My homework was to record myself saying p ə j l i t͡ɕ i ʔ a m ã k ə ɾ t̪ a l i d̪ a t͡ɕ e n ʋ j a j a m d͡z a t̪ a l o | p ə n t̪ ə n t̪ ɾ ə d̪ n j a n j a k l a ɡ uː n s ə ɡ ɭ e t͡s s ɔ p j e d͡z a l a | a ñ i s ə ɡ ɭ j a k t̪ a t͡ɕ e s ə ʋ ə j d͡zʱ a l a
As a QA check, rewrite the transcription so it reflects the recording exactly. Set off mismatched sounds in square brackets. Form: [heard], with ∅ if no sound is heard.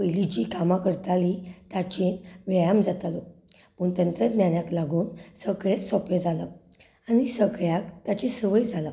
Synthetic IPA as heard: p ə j l i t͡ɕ i [k] a m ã k ə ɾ t̪ a l i [t̪] a t͡ɕ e n ʋ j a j a m d͡z a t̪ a l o | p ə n t̪ ə n t̪ ɾ ə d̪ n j a n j a k l a ɡ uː n s ə ɡ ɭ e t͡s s ɔ p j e d͡z a l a | a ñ i s ə ɡ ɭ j a k t̪ a t͡ɕ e s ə ʋ ə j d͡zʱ a l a